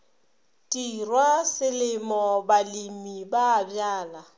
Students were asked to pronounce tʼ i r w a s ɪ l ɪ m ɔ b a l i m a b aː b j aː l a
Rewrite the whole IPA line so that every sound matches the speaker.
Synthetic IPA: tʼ i r w a s ɪ l ɪ m ɔ b a l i m i b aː b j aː l a